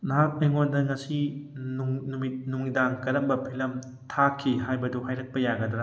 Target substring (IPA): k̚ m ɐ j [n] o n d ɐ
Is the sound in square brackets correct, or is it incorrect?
incorrect